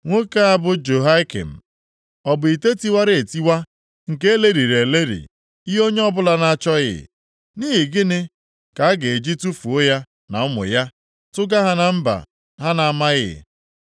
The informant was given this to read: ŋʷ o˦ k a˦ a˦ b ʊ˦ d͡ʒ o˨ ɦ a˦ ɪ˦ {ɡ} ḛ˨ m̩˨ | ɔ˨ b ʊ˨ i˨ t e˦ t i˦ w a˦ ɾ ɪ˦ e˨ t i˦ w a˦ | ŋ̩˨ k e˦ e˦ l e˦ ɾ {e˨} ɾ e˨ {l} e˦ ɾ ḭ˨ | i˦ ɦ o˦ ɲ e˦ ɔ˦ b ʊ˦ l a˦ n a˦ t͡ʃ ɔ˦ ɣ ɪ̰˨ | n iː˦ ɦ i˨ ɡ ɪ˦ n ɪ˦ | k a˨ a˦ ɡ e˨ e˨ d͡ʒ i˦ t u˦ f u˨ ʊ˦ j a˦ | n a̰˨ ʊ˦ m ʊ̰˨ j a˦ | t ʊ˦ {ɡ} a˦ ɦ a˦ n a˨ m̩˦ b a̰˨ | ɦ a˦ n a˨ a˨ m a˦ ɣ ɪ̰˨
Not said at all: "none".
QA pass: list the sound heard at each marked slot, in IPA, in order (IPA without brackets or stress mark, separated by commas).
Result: k, i˨, l, ɡ